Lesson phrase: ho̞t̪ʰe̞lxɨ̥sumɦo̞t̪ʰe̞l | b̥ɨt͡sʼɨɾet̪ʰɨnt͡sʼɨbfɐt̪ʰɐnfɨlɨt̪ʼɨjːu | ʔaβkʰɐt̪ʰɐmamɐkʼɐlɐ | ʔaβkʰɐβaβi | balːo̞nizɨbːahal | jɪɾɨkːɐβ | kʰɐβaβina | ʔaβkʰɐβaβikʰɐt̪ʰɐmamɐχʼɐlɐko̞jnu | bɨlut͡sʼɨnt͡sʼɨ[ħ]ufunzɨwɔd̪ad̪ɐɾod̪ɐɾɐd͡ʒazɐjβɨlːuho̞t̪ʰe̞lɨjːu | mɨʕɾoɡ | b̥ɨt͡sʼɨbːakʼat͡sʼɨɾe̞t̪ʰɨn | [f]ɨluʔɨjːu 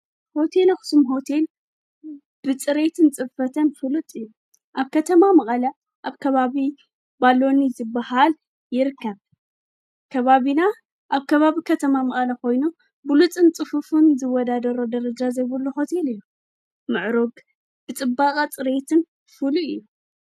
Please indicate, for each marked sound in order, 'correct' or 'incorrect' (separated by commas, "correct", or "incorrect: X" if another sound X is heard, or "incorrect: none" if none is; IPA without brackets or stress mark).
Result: incorrect: f, correct